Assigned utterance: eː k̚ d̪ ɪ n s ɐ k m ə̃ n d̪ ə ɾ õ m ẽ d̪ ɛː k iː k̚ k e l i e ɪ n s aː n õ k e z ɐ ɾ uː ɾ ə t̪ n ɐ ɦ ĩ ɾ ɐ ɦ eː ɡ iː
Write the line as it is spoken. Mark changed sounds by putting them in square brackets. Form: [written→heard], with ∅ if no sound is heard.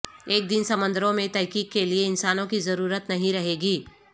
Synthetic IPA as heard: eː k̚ d̪ ɪ n s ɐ [k→∅] m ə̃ n d̪ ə ɾ õ m ẽ [d̪→t̪] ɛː k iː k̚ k e l i e ɪ n s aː n õ k [e→i] z ɐ ɾ uː ɾ ə t̪ n ɐ ɦ ĩ ɾ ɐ ɦ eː ɡ iː